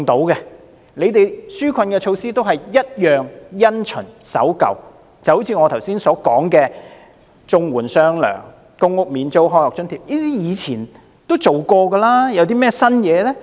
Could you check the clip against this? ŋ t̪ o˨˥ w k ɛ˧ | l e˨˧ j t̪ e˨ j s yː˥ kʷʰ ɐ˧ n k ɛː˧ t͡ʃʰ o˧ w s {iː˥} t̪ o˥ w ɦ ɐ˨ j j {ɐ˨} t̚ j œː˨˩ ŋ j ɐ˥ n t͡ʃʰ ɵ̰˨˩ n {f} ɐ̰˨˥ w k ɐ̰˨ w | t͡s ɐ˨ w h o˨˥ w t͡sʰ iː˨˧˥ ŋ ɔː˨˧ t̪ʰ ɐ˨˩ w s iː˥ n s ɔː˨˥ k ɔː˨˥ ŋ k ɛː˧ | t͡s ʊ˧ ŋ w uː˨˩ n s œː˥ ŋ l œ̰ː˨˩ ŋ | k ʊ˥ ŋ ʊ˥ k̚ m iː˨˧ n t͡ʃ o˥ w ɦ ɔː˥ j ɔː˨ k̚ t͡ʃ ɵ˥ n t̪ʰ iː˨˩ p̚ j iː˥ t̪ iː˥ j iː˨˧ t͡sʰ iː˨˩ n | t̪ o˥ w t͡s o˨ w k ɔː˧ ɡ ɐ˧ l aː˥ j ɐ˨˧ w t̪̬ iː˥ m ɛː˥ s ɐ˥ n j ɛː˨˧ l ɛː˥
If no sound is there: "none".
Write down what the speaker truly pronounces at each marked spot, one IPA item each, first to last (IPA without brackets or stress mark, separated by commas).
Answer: iː˥, ɐ˥, s